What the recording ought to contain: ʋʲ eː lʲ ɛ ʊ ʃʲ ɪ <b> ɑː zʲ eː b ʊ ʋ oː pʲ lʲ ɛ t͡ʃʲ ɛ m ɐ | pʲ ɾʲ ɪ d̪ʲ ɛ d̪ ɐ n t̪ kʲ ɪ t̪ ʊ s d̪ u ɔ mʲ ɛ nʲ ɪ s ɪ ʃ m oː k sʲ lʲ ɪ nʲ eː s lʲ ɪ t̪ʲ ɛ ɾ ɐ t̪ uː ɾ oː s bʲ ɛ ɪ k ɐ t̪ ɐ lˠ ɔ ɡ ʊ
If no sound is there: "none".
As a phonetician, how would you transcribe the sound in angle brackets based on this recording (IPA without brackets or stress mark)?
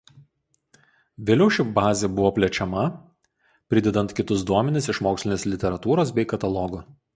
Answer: b